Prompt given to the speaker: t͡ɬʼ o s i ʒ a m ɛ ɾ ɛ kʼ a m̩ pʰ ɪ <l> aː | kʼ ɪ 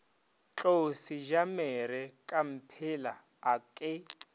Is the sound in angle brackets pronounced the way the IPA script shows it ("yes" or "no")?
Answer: yes